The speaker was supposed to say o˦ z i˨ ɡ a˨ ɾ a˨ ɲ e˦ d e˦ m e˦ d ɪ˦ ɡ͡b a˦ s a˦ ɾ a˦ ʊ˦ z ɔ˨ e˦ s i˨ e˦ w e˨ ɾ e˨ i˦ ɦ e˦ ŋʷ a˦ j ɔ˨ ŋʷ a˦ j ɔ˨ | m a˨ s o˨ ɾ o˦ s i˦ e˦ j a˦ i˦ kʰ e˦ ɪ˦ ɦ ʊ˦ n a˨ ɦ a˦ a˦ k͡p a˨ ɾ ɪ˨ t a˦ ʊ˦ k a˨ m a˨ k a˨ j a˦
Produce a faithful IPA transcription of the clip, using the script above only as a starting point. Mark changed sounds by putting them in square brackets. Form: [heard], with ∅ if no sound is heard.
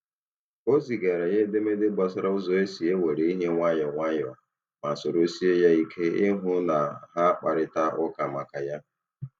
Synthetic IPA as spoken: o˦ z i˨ ɡ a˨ ɾ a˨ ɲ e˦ d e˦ m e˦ d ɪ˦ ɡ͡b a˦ s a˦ ɾ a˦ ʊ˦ z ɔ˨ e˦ s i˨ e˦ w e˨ ɾ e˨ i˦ ɦ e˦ ŋʷ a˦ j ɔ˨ ŋʷ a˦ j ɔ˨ | m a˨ s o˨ ɾ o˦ s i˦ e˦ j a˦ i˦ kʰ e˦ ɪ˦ ɦ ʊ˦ n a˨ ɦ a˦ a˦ k͡p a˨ ɾ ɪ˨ t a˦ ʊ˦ k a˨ m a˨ k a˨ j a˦